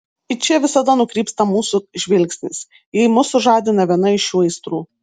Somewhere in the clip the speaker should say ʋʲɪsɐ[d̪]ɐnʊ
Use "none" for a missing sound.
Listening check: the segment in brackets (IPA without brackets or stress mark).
d̪